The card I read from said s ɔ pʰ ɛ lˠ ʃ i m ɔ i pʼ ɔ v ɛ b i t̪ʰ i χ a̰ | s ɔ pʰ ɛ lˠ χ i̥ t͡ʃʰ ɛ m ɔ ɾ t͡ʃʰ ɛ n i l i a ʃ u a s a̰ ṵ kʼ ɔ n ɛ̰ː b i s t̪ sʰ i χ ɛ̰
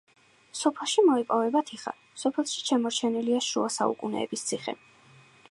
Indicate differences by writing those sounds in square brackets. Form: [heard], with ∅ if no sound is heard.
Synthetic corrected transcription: s ɔ pʰ ɛ lˠ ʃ i m ɔ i pʼ ɔ v ɛ b [a] t̪ʰ i χ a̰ | s ɔ pʰ ɛ lˠ [ʃ] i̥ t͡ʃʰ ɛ m ɔ ɾ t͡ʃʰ ɛ n i l i a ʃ u a s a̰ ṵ kʼ [u] n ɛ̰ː b i s t̪ sʰ i χ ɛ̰

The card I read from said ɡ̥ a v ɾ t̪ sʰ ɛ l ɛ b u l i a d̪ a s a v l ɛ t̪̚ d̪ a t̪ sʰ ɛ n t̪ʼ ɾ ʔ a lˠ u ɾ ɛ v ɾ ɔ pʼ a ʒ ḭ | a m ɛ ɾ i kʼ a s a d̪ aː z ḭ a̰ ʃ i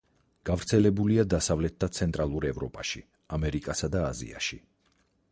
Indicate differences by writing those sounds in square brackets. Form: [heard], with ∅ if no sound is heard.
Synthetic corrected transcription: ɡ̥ a v ɾ t̪ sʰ ɛ l ɛ b u l i a d̪ a s a v l ɛ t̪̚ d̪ a t̪ sʰ ɛ n t̪ʼ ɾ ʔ a lˠ u ɾ ɛ v ɾ ɔ pʼ a [ʃ] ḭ | a m ɛ ɾ i kʼ a s a d̪ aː z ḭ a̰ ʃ i

